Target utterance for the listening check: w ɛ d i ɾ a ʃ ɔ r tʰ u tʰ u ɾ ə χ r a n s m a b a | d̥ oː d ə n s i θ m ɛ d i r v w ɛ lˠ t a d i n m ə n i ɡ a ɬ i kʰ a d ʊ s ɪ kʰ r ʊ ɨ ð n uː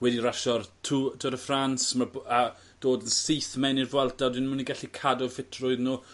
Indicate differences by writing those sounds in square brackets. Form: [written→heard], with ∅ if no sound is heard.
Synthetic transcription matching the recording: w ɛ d i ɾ a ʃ ɔ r tʰ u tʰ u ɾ ə [χ→f] r a n s m a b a | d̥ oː d ə n s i θ m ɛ [d→n] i r v w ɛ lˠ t a d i n m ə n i ɡ a ɬ i kʰ a d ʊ [s→f] ɪ [kʰ→tʰ] r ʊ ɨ ð n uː